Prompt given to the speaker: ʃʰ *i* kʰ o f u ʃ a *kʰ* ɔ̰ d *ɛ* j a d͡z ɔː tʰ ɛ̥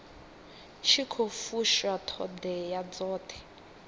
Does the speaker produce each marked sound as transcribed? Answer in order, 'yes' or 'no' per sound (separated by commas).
yes, no, yes